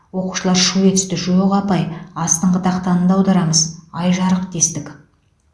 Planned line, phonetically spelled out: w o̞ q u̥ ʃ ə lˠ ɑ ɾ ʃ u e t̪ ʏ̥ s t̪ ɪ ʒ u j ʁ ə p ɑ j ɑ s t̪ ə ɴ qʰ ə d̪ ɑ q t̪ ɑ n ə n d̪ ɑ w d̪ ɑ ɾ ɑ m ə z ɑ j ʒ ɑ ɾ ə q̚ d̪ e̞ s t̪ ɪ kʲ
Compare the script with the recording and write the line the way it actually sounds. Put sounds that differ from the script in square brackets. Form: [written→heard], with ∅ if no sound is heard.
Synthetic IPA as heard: w o̞ q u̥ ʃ ə lˠ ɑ ɾ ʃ u e t̪ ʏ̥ s t̪ ɪ ʒ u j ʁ [ə→ɑ] p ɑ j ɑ s t̪ ə ɴ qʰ ə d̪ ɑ q t̪ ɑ n ə n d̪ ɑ w d̪ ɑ ɾ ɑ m ə z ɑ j ʒ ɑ ɾ ə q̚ d̪ e̞ s t̪ ɪ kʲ